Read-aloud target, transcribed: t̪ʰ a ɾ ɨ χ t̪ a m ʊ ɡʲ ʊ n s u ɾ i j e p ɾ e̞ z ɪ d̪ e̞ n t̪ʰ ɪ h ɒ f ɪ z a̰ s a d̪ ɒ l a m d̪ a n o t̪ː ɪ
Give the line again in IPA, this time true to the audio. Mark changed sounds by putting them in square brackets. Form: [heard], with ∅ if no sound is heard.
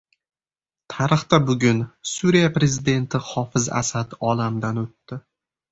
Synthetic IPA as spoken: t̪ʰ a ɾ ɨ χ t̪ a [b] ʊ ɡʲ ʊ n s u ɾ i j [a] p ɾ e̞ z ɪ d̪ e̞ n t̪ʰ ɪ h ɒ f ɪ z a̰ s a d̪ ɒ l a m d̪ a n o t̪ː ɪ